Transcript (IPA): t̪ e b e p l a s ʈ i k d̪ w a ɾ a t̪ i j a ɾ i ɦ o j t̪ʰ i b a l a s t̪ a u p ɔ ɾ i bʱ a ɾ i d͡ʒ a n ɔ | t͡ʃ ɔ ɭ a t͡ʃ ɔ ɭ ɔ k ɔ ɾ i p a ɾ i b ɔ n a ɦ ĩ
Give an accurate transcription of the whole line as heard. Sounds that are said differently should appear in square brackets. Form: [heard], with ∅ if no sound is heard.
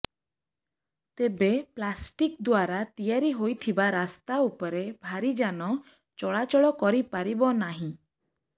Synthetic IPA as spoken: t̪ e b e p l a s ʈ i k d̪ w a ɾ a t̪ i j a ɾ i ɦ o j t̪ʰ i b a [ɾ] a s t̪ a u p ɔ ɾ [e] bʱ a ɾ i d͡ʒ a n ɔ | t͡ʃ ɔ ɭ a t͡ʃ ɔ ɭ ɔ k ɔ ɾ i p a ɾ i b ɔ n a ɦ ĩ